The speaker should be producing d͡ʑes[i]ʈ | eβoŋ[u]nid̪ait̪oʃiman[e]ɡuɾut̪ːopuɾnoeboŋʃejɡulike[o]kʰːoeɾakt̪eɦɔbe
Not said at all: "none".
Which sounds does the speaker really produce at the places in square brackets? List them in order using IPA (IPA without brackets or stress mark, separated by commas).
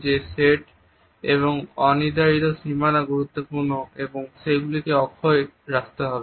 e, ɔ, a, ɔ